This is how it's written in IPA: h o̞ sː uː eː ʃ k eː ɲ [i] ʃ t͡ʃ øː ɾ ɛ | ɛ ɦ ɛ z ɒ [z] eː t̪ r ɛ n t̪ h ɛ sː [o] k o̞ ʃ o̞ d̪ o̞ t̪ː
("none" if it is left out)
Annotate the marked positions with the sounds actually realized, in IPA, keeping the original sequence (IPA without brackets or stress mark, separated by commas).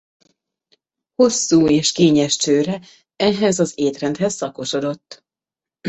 ɛ, z, ɒ